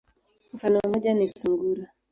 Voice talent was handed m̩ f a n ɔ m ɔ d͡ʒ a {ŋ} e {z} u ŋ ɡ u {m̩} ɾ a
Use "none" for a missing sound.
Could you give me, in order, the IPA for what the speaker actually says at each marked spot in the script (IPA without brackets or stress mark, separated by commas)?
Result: n, s, none